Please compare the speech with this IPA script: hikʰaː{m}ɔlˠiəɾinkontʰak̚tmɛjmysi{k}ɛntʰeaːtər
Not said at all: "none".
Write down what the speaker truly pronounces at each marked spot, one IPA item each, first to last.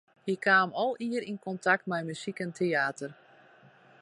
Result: m, k

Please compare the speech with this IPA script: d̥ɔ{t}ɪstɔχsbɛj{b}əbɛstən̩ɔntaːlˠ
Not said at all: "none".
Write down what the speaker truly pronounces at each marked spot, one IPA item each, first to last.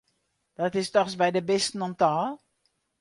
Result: t, d

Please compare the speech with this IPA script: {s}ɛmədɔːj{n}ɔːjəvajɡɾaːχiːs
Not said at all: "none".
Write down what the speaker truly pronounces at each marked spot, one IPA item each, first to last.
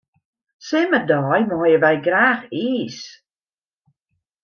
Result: s, m

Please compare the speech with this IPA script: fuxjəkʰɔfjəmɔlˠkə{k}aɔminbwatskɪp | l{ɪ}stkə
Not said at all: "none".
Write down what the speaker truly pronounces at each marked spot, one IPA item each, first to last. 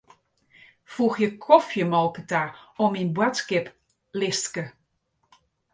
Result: t, ɪ

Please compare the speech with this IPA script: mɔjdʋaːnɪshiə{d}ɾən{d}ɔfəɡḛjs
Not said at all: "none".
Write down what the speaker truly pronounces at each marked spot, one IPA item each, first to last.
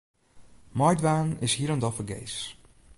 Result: none, d

